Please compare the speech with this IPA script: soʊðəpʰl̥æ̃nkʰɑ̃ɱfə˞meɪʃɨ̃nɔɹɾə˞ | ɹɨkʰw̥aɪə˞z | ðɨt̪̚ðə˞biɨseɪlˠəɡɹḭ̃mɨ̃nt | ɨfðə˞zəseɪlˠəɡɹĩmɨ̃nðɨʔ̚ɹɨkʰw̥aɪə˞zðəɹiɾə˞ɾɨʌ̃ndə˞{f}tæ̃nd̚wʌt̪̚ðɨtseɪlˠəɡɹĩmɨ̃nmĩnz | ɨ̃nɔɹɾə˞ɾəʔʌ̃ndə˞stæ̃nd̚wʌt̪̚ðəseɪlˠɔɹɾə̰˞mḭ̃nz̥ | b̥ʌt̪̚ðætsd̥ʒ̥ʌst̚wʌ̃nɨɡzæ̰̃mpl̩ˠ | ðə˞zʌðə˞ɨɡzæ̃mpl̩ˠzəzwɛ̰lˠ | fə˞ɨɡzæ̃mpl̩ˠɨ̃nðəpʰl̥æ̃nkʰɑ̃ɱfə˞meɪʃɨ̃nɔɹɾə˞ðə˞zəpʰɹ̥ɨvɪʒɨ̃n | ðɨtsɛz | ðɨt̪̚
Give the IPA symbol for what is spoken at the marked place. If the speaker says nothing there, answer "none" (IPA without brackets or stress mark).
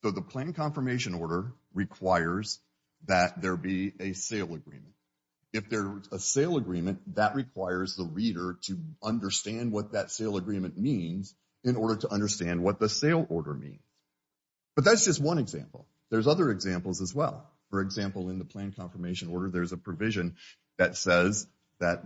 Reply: s